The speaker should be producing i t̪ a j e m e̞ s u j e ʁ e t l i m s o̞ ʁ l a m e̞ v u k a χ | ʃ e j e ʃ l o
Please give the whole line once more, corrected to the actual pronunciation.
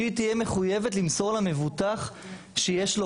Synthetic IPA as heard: i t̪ i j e m e̞ χ u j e v e t l i m s o̞ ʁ l a m e̞ v u t a χ | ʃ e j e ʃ l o